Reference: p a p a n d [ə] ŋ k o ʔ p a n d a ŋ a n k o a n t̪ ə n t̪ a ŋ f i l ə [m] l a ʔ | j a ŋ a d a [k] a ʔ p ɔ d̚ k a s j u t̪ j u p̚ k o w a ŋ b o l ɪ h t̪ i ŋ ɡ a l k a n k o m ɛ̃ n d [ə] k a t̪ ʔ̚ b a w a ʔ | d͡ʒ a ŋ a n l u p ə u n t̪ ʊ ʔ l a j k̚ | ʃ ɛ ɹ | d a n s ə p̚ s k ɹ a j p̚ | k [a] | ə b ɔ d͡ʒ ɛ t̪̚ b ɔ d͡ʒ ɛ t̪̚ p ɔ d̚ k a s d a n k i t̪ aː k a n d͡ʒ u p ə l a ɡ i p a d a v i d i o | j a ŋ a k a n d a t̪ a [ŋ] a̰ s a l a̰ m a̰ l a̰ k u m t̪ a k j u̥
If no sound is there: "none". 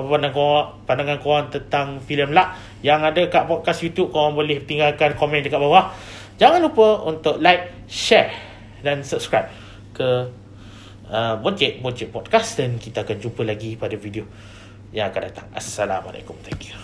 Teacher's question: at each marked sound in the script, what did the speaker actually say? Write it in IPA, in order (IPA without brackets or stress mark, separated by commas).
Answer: a, m, k, ə, ə, ŋ